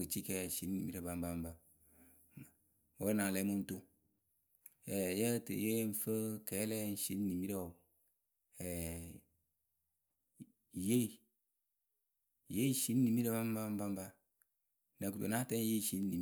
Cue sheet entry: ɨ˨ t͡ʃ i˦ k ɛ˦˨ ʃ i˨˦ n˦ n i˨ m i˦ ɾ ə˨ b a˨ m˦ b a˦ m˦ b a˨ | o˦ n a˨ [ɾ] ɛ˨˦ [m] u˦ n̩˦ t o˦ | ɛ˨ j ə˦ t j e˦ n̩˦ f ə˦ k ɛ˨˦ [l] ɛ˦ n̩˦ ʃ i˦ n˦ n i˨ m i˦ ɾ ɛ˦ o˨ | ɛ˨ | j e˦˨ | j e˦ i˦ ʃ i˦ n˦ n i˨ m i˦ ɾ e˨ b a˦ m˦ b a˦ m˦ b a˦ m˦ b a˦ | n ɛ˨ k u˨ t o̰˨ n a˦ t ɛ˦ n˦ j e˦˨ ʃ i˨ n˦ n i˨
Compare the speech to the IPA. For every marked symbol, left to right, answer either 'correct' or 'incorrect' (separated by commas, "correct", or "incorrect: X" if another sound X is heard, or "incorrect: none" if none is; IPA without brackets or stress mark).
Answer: incorrect: l, correct, correct